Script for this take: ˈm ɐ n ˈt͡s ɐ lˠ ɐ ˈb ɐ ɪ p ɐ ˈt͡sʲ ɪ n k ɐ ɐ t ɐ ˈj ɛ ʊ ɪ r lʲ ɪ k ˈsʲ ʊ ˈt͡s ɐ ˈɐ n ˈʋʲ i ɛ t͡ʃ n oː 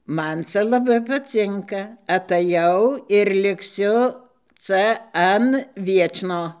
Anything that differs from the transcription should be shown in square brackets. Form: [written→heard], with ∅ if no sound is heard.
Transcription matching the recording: ˈm ɐ n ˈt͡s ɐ lˠ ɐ ˈb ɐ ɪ p ɐ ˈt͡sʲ ɪ [n→ŋ] k ɐ ɐ t ɐ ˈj ɛ ʊ ɪ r lʲ ɪ k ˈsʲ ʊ ˈt͡s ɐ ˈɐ n ˈʋʲ i ɛ t͡ʃ n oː